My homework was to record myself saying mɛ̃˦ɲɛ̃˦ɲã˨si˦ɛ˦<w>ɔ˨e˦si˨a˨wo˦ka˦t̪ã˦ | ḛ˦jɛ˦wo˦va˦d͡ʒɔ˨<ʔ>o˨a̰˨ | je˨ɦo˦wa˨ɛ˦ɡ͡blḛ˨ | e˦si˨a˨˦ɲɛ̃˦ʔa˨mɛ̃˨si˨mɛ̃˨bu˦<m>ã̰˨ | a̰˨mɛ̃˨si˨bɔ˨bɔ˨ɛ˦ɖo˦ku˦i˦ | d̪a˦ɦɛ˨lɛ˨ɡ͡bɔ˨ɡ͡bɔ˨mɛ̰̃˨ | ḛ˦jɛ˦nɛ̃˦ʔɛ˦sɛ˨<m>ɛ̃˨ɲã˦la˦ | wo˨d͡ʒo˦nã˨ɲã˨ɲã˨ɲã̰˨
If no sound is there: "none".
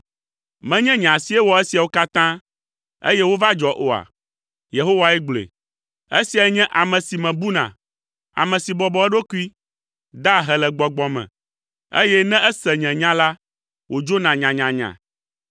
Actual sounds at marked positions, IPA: w, ʔ, n, ɲ

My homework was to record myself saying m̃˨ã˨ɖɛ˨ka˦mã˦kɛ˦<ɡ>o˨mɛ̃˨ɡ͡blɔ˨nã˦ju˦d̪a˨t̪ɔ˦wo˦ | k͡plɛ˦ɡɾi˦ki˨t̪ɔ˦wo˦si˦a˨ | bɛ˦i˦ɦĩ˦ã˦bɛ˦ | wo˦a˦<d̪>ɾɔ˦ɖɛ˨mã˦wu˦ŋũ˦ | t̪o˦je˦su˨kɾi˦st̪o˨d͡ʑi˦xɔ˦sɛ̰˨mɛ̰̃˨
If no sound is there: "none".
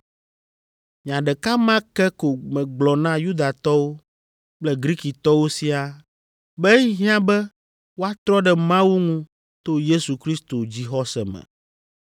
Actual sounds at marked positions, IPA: k, t̪

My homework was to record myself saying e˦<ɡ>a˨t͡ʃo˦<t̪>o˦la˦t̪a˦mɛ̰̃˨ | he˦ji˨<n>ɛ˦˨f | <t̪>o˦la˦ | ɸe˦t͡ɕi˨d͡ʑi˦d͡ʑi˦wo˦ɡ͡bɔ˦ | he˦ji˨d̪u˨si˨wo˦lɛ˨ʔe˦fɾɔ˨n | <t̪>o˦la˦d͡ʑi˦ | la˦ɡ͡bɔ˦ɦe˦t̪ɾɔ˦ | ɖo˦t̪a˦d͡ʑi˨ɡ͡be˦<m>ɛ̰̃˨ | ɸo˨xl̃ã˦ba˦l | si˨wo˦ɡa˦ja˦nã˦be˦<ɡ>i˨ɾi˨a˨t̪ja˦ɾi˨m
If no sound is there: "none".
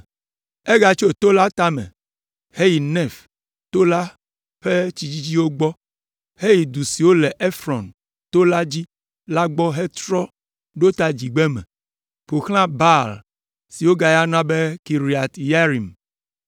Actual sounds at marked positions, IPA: ɡ, t̪, n, t̪, t̪, m, k

